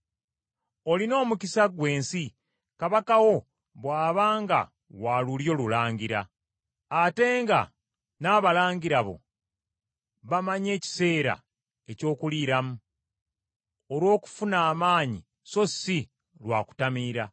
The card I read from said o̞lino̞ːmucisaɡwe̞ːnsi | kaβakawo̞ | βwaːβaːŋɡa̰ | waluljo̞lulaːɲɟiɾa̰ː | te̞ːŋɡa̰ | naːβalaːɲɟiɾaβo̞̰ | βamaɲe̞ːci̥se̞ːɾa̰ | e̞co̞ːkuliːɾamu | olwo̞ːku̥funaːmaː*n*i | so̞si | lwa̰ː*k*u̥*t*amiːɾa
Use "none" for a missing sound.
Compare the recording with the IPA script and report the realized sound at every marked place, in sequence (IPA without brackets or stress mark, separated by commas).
ɲ, k, t